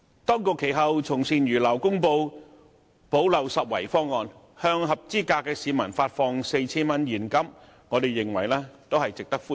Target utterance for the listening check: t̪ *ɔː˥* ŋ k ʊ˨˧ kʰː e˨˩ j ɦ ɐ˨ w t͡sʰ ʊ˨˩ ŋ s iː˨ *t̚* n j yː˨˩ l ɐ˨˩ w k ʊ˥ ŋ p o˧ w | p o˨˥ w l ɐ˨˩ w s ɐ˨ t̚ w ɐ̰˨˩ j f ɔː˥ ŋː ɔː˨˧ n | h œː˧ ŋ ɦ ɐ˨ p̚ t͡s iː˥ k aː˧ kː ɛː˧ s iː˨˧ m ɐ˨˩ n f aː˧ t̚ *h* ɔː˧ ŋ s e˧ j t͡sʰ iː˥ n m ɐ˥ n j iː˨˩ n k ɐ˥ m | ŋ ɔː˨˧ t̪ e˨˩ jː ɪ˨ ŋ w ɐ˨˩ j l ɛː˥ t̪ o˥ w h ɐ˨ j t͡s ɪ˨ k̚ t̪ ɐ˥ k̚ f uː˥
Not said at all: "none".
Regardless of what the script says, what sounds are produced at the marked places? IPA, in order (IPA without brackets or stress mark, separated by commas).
ɔː˥, none, f